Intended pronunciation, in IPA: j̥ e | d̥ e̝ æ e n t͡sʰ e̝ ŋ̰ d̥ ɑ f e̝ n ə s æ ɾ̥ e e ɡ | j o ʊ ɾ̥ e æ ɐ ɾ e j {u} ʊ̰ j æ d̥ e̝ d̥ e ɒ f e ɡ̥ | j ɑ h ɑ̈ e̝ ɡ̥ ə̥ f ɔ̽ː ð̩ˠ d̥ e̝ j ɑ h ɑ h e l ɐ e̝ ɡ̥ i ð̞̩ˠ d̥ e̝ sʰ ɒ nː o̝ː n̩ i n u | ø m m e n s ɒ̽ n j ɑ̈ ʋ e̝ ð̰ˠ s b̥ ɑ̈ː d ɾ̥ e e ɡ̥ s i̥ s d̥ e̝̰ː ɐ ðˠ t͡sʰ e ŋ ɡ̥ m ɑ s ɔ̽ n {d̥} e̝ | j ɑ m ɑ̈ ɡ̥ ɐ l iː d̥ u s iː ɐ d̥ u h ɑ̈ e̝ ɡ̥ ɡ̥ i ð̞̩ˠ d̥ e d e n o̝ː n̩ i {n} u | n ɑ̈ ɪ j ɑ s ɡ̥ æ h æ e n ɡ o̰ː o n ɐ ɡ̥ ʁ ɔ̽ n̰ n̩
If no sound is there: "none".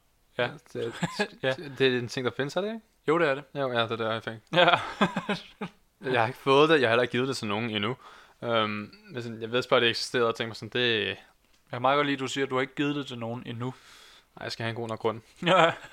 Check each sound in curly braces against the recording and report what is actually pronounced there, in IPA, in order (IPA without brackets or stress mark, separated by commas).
o, d̥, n